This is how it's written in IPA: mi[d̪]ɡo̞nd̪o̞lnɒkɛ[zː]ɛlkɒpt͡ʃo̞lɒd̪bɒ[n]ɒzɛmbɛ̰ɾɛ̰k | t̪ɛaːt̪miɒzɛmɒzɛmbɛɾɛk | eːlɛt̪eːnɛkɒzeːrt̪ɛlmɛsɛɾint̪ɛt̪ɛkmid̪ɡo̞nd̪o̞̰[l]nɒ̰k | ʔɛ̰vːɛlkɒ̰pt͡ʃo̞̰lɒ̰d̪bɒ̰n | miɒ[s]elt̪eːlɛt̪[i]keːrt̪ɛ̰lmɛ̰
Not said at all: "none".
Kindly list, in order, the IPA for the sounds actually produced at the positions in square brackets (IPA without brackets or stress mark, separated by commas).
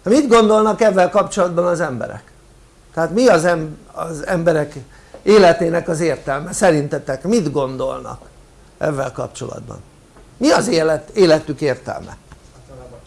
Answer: d̪, vː, n, l, z, y